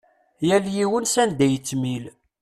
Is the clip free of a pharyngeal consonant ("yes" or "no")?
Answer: yes